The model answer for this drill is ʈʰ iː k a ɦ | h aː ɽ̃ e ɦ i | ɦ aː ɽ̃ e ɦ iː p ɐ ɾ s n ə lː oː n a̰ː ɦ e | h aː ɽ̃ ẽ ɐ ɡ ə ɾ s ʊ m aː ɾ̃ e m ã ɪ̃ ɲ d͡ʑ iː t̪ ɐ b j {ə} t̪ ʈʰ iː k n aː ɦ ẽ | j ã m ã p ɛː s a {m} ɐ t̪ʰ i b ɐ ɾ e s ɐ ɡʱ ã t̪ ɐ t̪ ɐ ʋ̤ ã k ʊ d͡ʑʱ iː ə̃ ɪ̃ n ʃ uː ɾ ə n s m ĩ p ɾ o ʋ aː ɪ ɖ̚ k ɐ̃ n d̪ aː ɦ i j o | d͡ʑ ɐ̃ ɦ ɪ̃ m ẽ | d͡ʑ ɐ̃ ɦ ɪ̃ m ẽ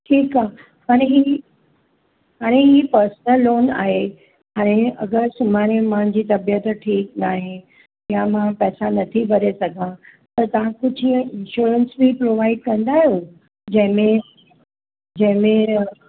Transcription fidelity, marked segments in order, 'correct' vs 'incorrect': correct, incorrect

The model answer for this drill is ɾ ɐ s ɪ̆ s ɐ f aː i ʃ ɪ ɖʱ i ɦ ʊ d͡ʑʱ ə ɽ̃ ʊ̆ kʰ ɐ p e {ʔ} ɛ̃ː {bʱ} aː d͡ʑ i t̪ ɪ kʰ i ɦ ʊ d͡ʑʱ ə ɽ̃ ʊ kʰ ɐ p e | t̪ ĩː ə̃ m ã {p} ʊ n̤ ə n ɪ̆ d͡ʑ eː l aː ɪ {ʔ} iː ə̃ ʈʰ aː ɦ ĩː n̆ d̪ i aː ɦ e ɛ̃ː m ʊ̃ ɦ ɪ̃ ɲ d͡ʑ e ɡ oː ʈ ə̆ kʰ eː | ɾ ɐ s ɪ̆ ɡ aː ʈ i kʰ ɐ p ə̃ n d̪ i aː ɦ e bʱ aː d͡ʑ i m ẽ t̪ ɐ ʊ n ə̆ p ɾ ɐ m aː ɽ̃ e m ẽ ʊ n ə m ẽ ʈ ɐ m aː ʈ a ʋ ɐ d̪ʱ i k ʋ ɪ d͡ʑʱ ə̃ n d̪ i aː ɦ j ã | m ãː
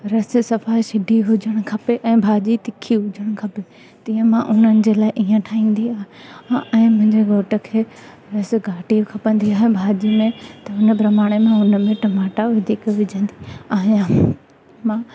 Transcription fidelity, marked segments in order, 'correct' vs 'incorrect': correct, correct, incorrect, correct

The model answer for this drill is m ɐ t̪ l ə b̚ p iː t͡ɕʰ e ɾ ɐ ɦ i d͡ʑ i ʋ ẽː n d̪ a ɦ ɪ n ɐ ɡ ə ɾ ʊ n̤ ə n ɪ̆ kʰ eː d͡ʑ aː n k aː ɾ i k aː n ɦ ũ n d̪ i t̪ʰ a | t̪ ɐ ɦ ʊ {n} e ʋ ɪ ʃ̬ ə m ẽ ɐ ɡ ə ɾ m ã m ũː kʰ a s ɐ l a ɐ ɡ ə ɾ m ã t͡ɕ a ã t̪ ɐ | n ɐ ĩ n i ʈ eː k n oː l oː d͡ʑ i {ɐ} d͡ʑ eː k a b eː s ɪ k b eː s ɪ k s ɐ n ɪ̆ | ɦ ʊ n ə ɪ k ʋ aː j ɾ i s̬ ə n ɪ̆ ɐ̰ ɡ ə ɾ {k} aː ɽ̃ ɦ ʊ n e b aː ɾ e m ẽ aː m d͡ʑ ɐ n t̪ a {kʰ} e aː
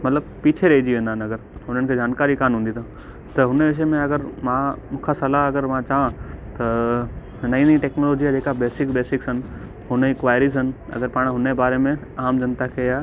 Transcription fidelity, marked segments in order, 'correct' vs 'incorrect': correct, incorrect, incorrect, correct

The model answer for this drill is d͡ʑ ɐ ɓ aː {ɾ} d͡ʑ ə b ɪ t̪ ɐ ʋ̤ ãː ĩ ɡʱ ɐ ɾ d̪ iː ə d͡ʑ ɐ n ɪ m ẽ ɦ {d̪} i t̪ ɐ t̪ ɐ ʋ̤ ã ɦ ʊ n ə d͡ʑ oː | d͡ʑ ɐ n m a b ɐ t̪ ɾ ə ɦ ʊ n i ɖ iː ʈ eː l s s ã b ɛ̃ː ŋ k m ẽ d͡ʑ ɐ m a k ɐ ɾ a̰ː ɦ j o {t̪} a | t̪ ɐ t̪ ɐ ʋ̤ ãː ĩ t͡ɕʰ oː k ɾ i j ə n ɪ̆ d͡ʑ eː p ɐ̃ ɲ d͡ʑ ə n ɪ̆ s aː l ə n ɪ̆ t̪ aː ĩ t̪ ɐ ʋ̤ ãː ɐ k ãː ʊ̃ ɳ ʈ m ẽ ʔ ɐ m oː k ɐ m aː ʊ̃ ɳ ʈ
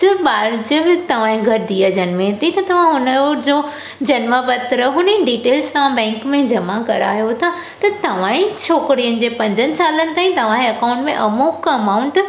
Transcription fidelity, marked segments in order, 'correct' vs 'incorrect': correct, incorrect, incorrect

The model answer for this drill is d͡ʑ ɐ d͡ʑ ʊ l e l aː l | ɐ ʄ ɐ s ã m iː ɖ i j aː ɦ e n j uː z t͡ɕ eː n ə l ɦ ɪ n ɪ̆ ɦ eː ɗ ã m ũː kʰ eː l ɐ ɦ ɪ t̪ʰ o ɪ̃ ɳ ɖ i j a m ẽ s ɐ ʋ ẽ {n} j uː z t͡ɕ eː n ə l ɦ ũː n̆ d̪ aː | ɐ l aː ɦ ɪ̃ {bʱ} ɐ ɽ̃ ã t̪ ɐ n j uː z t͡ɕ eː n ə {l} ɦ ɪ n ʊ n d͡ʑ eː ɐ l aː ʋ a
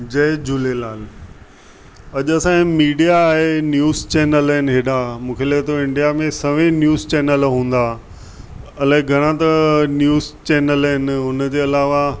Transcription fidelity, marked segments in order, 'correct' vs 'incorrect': correct, incorrect, correct

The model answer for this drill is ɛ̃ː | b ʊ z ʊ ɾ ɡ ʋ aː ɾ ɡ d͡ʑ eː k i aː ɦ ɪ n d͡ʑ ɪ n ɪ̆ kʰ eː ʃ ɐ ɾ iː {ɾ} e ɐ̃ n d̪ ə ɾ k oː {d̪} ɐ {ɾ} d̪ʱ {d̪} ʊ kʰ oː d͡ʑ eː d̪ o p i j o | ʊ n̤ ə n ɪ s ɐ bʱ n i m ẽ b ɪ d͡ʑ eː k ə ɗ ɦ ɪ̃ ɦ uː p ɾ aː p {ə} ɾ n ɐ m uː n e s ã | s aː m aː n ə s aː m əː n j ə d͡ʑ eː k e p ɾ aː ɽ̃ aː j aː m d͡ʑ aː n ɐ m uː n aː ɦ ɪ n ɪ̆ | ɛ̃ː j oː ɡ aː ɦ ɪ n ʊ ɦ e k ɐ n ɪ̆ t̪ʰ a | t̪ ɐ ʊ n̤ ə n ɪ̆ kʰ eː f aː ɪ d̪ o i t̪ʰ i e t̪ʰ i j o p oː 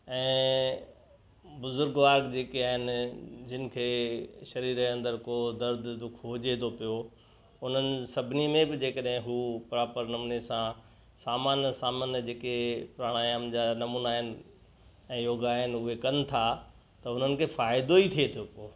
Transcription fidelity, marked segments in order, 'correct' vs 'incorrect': correct, correct, correct, correct, correct

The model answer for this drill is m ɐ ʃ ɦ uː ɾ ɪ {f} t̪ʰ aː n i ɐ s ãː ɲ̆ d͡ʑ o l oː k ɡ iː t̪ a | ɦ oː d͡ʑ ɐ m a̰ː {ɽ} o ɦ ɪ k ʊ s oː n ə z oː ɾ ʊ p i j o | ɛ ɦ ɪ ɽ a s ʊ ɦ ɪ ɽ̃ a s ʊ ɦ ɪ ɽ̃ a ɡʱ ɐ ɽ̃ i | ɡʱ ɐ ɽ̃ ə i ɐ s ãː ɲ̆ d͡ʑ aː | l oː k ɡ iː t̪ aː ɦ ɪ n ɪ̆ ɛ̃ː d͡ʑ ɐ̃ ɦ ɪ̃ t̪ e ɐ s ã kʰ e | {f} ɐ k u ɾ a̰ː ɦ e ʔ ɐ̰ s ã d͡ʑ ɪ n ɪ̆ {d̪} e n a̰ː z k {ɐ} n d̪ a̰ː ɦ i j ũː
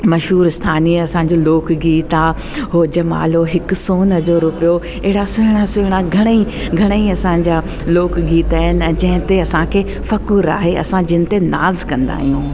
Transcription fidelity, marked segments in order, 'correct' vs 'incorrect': incorrect, incorrect, correct, incorrect, incorrect

